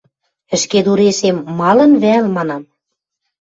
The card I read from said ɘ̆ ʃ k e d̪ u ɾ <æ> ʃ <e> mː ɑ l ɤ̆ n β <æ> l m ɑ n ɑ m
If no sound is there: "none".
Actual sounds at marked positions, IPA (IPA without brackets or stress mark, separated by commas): e, e, æ